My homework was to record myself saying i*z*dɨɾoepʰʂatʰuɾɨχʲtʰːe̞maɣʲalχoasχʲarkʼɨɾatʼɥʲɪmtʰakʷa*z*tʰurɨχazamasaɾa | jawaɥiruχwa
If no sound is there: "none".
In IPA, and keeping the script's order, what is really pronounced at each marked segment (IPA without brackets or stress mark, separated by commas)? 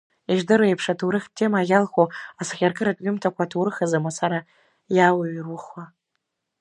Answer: ʒ, none